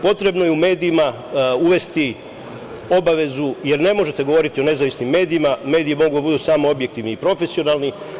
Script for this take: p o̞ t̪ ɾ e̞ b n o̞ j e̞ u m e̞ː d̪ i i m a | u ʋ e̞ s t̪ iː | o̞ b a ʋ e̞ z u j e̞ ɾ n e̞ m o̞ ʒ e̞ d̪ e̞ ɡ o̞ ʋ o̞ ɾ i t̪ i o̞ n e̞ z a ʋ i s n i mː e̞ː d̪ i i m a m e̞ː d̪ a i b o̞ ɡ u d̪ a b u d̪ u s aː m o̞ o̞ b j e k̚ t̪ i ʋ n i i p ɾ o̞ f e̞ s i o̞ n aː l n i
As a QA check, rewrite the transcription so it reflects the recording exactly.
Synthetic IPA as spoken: p o̞ t̪ ɾ e̞ b n o̞ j e̞ u m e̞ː d̪ i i m a | u ʋ e̞ s t̪ i | o̞ b a ʋ e̞ z u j e̞ ɾ n e̞ m o̞ ʒ e̞ t̪ e̞ ɡ o̞ ʋ o̞ ɾ i t̪ i o̞ n e̞ z a ʋ i s n i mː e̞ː d̪ i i m a m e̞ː d̪ i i m o̞ ɡ u d̪ a b u d̪ u s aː m o̞ o̞ b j e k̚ t̪ i ʋ n i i p ɾ o̞ f e̞ s i o̞ n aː l n i